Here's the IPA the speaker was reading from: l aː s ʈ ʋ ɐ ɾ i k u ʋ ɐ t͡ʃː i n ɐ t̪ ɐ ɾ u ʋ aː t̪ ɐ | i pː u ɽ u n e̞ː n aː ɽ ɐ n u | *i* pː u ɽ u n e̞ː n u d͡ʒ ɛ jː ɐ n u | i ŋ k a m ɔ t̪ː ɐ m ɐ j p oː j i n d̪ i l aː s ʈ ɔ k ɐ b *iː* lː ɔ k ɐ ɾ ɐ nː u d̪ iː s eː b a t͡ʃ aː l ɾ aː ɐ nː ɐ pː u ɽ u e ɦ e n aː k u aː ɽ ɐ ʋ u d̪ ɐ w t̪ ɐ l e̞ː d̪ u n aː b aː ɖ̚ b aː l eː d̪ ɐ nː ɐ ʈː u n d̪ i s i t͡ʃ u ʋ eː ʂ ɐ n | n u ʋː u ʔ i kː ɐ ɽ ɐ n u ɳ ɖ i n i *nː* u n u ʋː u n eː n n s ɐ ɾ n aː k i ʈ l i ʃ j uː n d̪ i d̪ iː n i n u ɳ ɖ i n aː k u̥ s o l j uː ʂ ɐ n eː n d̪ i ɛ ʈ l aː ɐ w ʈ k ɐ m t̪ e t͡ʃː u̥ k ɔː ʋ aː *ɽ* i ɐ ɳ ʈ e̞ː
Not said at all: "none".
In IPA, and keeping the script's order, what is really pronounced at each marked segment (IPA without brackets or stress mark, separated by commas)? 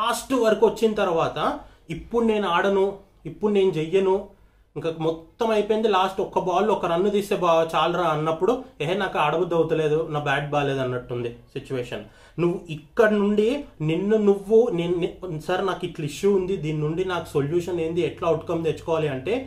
i, aː, nː, l